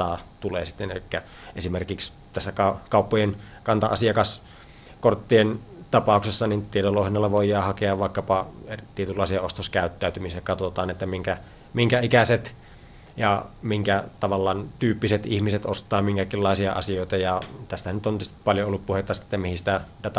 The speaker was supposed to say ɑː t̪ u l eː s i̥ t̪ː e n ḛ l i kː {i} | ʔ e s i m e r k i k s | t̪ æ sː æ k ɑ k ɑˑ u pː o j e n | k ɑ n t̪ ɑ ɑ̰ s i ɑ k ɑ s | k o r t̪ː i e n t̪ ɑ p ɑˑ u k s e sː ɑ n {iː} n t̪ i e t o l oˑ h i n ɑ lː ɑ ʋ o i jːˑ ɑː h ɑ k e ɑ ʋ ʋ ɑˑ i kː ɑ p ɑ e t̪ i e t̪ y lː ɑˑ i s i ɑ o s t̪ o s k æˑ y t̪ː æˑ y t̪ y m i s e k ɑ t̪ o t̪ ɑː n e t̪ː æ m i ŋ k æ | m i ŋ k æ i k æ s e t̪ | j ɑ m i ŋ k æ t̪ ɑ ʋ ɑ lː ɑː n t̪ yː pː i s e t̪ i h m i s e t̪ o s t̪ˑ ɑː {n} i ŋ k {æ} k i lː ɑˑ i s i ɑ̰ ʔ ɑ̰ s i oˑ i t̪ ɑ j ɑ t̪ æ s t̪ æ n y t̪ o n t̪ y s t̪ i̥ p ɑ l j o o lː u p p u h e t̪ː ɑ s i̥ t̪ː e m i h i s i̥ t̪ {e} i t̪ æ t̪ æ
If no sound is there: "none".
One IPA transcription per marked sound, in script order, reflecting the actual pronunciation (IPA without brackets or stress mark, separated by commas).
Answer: æ, i, m, æ, æ